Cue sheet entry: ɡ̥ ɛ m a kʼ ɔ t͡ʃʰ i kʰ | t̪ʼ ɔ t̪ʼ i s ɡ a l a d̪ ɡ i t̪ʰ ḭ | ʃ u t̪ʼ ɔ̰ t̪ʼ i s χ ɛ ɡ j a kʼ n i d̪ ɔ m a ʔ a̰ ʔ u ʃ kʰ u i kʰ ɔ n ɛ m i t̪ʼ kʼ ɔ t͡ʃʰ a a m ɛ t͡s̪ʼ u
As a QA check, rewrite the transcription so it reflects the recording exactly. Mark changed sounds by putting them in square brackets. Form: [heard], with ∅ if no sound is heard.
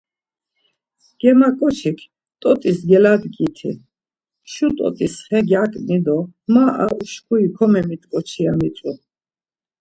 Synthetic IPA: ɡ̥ ɛ m a kʼ ɔ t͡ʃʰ i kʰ | t̪ʼ ɔ t̪ʼ i s ɡ [ɛ] l a d̪ ɡ i t̪ʰ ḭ | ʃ u t̪ʼ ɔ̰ t̪ʼ i s χ ɛ ɡ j a kʼ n i d̪ ɔ m a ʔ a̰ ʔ u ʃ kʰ u i kʰ ɔ [m] ɛ m i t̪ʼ kʼ ɔ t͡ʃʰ [i] a m [i] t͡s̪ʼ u